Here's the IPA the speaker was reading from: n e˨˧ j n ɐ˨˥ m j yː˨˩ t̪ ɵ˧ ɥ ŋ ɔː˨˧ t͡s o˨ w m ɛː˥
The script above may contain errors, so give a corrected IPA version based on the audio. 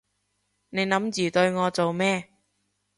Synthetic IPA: n e˨˧ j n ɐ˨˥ m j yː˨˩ t̪ ɵ˧ ɥ ŋ ɔː˨˧ t͡s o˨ w m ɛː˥